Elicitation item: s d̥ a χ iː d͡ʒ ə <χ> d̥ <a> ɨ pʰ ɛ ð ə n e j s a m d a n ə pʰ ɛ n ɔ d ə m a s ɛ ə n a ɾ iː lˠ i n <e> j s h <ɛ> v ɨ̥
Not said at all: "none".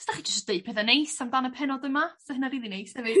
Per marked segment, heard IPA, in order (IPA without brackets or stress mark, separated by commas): s, e, e, ɛ